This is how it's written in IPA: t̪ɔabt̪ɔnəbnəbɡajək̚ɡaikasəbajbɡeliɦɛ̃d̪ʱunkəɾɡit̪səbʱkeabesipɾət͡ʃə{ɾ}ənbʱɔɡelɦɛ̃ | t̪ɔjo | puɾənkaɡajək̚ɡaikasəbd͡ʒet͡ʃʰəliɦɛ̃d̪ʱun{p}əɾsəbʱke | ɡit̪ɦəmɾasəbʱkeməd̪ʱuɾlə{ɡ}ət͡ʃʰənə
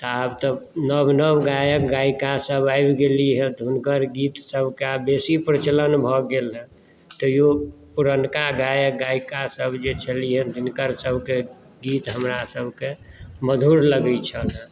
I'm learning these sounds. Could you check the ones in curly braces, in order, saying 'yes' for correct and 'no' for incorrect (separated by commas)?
no, no, yes